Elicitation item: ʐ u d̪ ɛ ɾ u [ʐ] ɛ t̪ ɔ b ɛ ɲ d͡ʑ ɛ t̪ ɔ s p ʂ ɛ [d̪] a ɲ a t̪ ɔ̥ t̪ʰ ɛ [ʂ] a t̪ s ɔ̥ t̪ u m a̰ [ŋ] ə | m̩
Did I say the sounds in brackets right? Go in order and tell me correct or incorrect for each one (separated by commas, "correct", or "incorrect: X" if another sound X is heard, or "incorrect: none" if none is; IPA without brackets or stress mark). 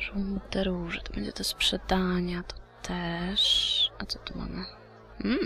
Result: correct, correct, correct, incorrect: m